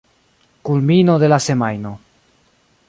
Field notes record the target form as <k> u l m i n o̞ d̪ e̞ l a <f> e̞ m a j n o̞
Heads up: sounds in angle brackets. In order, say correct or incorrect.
correct, incorrect: s

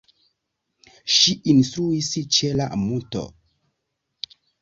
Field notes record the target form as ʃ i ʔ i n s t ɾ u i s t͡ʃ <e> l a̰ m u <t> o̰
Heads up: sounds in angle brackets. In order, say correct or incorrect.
correct, correct

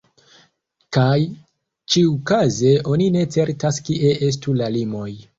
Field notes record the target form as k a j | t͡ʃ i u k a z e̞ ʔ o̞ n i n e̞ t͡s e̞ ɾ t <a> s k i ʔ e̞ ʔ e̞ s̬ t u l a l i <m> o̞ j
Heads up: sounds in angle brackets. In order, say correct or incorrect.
correct, correct

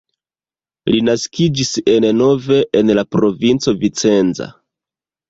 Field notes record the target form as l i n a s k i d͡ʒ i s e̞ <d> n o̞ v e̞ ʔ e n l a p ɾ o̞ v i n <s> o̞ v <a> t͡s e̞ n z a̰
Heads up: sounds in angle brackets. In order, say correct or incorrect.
incorrect: n, incorrect: t͡s, incorrect: i

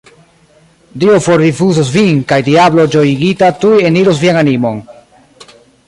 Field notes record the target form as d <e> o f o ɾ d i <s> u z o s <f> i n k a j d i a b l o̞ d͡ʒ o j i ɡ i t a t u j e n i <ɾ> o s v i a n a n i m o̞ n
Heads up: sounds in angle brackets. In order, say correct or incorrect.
incorrect: i, incorrect: f, incorrect: v, correct

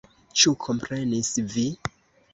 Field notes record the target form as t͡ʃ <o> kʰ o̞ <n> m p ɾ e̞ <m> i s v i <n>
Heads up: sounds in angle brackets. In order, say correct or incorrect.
incorrect: u, incorrect: none, incorrect: n, incorrect: none

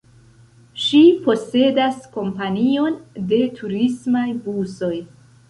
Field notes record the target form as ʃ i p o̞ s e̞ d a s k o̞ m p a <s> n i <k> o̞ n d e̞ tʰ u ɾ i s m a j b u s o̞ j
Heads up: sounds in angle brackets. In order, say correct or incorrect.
incorrect: none, incorrect: none

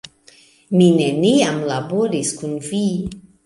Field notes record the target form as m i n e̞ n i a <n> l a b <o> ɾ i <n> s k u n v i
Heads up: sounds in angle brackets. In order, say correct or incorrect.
incorrect: m, correct, incorrect: none

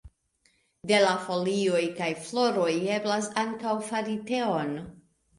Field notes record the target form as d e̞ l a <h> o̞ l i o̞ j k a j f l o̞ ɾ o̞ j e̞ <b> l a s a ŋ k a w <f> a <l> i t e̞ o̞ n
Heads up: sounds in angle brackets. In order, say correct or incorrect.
incorrect: f, correct, correct, incorrect: ɾ

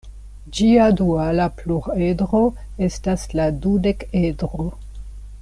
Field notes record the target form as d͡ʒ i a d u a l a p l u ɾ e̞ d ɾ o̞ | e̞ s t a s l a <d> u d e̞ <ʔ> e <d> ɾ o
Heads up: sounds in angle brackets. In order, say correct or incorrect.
correct, incorrect: k, correct

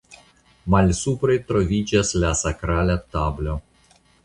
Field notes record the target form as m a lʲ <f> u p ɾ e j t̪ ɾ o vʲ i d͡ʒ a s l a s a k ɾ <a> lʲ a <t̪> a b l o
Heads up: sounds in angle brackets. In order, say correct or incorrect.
incorrect: s, correct, correct

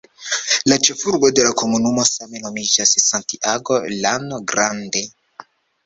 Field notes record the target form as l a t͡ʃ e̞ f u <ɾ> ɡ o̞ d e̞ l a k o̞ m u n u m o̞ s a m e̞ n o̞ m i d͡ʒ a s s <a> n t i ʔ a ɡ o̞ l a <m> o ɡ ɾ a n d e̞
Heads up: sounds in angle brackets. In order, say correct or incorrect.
correct, correct, incorrect: n

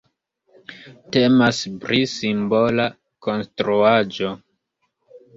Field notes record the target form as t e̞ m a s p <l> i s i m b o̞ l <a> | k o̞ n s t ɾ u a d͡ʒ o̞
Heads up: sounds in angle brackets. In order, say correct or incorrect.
incorrect: ɾ, correct

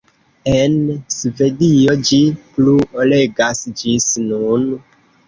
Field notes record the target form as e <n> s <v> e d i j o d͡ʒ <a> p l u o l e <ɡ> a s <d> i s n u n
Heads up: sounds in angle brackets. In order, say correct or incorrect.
correct, correct, incorrect: i, correct, incorrect: d͡ʒ

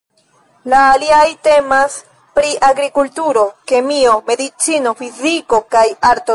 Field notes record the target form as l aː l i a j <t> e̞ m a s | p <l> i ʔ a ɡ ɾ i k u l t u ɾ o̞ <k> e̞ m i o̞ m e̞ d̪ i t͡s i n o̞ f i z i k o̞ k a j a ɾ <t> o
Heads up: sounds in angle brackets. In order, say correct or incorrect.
correct, incorrect: ɾ, correct, correct

